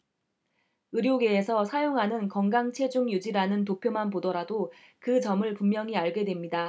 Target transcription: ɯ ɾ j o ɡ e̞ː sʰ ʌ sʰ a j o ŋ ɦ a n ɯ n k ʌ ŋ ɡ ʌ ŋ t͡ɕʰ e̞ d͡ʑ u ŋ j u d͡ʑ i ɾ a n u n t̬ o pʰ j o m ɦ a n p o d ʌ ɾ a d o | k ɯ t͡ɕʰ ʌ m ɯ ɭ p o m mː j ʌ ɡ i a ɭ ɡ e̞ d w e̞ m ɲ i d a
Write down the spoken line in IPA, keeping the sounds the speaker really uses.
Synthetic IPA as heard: ɯ ɾ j o ɡ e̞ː sʰ ʌ sʰ a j o ŋ ɦ a n ɯ n k ʌ ŋ ɡ a ŋ t͡ɕʰ e̞ d͡ʑ u ŋ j u d͡ʑ i ɾ a n ɯ n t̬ o pʰ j o m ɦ a n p o d ʌ ɾ a d o | k ɯ t͡ɕ ʌ m ɯ ɭ p u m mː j ʌ ŋ i a ɭ ɡ e̞ d w e̞ m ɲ i d a